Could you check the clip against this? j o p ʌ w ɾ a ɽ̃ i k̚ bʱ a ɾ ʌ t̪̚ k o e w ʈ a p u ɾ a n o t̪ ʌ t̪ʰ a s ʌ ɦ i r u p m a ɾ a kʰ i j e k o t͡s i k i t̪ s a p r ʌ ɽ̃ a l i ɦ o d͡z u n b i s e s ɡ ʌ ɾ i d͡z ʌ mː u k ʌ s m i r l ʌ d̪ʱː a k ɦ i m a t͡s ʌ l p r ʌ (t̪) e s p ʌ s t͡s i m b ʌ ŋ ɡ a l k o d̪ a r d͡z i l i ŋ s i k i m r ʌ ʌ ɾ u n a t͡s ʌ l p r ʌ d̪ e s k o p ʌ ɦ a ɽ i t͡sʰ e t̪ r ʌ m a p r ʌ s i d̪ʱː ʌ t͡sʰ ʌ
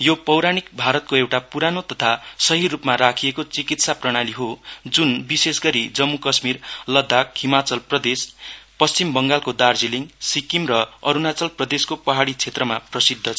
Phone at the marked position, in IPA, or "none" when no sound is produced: d̪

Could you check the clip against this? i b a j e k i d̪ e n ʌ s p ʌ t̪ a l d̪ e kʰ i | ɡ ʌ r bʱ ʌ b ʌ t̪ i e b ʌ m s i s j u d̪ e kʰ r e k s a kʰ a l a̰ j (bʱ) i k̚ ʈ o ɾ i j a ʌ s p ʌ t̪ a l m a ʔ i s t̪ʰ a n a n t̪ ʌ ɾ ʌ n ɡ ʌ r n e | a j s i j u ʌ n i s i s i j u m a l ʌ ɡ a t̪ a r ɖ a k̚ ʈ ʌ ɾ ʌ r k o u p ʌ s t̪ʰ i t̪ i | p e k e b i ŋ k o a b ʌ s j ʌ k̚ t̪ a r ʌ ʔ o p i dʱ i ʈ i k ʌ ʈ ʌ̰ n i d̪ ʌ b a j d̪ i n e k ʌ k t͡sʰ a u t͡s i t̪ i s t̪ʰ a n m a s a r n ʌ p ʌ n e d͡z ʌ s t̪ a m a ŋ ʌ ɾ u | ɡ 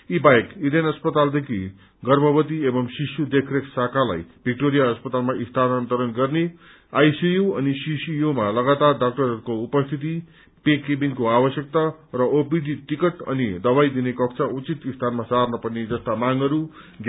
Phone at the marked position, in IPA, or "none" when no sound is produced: bʱ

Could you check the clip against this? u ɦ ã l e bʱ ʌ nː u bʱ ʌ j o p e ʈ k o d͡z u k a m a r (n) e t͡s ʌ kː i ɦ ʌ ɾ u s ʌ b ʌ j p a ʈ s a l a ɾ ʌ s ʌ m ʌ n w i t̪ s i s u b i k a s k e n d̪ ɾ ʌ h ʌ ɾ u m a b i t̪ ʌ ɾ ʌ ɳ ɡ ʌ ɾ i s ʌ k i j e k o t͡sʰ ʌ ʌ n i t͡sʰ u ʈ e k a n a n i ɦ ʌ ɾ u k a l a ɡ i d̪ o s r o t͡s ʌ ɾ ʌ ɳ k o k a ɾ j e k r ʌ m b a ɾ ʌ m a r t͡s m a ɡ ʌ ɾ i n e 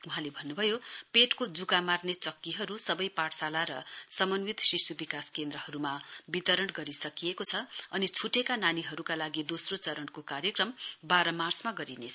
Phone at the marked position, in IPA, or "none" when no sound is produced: n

